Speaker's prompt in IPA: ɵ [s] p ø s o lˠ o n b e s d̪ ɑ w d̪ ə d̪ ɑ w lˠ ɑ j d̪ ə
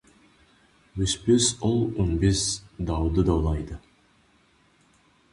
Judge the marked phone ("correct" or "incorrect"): correct